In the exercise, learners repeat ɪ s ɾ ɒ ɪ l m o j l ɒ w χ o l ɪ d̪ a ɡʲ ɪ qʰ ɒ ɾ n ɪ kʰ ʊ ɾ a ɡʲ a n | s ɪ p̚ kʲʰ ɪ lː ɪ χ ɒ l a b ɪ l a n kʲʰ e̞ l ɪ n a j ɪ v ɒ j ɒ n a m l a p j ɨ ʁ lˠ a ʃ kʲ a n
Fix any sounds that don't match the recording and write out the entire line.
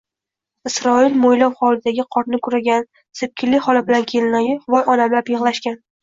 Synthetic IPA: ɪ s ɾ ɒ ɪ l m o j l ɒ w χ ɒ l ɪ d̪ a ɡʲ ɪ qʰ ɒ ɾ n ɪ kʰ ʊ ɾ a ɡʲ a n | s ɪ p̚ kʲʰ ɪ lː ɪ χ ɒ l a b ɪ l a n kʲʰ e̞ l ɪ n a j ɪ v ɒ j ɒ n a m l a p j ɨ ʁ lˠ a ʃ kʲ a n